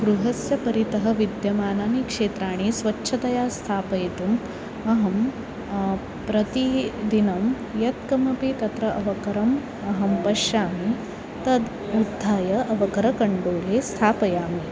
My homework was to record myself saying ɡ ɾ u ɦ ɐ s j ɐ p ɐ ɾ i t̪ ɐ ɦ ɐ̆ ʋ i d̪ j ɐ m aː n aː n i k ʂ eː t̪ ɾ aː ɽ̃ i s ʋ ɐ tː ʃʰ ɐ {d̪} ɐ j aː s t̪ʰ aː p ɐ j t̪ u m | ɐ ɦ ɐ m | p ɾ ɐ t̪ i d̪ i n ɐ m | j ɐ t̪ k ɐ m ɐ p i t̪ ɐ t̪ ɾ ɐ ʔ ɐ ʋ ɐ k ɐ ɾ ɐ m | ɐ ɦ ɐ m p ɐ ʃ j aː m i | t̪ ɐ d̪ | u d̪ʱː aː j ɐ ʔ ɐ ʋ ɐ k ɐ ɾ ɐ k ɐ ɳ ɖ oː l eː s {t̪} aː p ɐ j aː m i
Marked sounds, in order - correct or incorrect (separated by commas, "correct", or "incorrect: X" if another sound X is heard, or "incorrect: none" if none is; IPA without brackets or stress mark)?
incorrect: t̪, incorrect: t̪ʰ